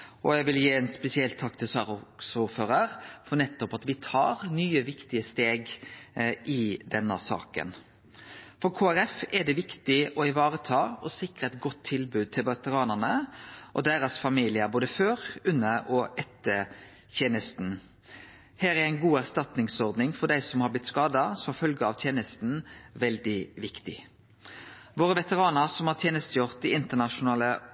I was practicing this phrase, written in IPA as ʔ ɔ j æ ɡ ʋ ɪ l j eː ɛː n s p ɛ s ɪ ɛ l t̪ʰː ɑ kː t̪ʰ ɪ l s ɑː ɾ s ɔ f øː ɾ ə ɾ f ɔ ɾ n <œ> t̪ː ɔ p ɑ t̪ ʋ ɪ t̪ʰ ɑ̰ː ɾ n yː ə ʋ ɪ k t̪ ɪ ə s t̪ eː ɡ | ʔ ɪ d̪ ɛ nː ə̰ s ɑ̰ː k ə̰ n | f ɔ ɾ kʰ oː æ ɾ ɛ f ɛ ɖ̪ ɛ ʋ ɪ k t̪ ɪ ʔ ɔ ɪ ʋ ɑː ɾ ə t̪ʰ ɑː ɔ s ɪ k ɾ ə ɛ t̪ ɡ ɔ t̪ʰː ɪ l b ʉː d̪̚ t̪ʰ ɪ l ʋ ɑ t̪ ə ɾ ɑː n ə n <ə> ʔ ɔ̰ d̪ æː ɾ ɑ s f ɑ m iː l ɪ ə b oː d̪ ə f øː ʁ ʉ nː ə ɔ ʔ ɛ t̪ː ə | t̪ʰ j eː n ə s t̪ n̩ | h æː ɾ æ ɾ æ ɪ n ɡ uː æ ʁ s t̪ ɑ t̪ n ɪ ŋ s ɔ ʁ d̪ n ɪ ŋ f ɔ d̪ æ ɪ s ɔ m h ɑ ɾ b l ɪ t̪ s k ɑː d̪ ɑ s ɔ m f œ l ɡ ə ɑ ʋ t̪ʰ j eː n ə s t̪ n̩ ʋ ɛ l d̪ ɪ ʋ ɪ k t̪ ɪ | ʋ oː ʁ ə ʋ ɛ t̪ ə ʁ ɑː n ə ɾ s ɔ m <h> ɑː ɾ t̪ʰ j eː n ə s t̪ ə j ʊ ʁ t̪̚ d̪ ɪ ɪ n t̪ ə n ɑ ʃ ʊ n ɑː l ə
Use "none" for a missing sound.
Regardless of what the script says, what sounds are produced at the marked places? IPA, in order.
ɛ, ə, h

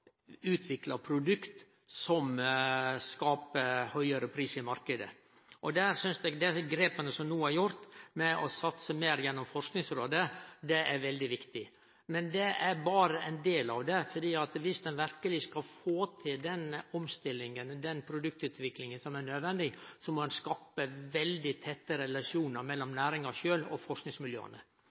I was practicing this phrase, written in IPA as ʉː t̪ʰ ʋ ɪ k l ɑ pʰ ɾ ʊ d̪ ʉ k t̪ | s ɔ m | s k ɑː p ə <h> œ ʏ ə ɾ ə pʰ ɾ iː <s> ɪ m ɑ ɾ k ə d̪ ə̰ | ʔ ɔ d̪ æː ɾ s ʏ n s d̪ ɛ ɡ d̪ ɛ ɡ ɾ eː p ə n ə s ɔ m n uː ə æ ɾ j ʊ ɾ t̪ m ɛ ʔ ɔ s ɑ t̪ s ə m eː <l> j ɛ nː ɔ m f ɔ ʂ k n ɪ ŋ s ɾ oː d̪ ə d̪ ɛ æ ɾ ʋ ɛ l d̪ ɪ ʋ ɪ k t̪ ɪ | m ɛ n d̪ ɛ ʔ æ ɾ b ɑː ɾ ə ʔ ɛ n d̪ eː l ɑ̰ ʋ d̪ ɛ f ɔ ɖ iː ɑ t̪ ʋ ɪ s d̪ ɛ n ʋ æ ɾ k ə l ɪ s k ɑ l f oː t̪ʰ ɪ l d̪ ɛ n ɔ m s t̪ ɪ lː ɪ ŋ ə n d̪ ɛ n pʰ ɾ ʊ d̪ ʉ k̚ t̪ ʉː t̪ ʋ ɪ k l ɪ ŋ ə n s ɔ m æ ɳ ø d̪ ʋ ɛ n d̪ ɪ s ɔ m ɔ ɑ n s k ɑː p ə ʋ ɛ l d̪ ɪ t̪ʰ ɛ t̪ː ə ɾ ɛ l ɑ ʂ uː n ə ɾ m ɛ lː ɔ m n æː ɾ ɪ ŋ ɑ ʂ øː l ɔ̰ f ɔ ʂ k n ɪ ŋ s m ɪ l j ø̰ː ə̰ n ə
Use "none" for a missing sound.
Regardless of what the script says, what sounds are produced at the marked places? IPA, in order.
h, s, ɾ

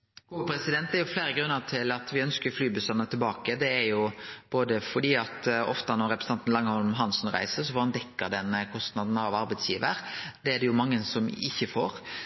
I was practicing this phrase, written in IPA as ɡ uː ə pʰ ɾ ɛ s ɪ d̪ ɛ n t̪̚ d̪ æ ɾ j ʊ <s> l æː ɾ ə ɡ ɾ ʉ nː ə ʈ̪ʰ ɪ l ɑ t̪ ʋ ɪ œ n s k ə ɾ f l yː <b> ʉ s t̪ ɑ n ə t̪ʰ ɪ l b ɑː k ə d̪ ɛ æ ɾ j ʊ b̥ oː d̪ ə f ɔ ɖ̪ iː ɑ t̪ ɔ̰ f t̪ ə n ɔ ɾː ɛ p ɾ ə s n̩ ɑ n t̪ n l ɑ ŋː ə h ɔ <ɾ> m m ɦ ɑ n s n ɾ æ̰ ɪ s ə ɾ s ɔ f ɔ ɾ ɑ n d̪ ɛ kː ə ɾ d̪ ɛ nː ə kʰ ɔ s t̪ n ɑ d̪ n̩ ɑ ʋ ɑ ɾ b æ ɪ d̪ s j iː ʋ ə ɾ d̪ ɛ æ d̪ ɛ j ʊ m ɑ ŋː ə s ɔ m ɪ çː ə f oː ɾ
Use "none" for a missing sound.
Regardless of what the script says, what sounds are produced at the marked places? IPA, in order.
f, b, l

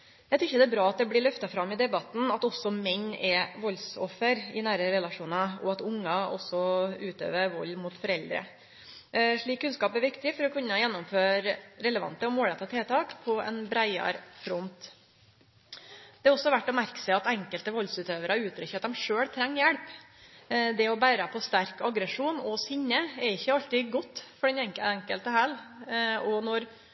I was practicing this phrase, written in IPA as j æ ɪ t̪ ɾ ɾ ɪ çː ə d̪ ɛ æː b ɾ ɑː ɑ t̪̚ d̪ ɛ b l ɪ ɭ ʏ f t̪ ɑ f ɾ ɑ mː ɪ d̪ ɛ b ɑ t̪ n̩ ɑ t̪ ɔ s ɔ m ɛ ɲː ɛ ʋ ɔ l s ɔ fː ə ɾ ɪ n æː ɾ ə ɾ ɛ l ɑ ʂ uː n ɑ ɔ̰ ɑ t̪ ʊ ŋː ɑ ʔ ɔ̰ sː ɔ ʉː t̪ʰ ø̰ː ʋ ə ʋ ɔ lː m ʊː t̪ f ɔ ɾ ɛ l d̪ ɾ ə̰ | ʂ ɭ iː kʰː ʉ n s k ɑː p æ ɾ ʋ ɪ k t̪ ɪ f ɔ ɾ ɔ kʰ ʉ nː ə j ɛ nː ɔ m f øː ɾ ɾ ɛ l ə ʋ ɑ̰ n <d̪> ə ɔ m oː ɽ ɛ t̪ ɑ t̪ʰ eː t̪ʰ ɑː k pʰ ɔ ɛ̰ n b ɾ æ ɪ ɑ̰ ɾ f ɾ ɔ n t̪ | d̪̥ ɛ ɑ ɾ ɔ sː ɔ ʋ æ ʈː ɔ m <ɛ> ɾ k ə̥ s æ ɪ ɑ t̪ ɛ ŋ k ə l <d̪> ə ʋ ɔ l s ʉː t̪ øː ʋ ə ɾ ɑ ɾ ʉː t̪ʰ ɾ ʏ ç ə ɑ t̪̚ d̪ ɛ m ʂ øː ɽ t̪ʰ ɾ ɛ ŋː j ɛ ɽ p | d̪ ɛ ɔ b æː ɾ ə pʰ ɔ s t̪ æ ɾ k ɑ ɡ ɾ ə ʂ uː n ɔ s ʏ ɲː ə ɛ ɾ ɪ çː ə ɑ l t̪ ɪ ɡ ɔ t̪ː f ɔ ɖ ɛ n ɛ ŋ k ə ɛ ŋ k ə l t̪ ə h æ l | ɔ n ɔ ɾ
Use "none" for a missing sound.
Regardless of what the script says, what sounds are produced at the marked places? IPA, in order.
t̪, æ, t̪

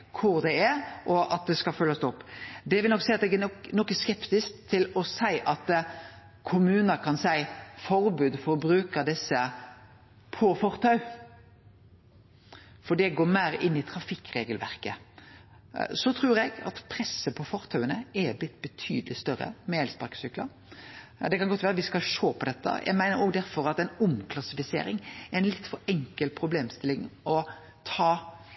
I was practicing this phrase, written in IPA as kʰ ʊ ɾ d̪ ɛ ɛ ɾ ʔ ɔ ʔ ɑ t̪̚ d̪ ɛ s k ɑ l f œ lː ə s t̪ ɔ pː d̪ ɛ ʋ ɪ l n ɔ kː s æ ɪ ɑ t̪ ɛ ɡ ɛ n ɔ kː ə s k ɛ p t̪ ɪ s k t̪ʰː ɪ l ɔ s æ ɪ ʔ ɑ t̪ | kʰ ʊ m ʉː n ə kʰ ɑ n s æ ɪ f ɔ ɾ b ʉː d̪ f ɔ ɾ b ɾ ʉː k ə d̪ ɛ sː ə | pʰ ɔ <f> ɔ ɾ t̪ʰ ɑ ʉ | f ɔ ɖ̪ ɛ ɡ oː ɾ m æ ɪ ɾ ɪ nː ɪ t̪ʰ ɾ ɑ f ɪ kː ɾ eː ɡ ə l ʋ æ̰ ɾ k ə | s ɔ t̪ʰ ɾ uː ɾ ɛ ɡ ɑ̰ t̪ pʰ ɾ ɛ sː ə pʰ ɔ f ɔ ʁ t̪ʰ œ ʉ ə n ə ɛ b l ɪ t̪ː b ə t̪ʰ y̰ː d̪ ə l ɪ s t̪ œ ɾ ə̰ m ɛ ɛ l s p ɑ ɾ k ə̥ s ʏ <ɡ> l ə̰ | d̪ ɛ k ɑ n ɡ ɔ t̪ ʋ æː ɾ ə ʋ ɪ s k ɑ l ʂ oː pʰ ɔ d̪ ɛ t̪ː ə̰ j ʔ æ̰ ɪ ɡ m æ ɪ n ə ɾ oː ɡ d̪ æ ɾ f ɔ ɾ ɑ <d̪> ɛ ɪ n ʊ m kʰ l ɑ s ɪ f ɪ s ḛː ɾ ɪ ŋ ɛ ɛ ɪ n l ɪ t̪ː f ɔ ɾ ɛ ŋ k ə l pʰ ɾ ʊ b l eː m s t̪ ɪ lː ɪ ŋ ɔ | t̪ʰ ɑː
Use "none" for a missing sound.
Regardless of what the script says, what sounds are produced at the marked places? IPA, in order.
f, k, t̪

